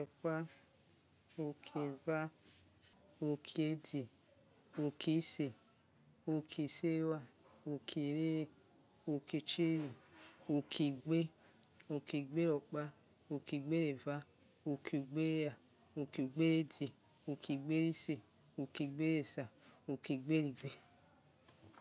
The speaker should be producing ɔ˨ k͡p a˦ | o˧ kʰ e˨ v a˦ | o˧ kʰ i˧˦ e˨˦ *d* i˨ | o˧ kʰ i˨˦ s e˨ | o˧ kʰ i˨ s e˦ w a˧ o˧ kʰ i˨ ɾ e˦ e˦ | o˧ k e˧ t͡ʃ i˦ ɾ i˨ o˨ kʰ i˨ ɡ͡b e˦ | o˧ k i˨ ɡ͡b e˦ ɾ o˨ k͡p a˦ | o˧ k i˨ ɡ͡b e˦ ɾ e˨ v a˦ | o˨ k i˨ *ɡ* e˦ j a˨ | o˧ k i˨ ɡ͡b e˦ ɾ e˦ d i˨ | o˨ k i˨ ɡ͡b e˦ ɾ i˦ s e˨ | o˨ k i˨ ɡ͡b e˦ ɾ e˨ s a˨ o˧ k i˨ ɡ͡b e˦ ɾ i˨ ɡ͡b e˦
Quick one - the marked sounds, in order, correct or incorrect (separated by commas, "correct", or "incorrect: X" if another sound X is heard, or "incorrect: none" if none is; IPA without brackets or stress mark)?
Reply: correct, incorrect: ɡ͡b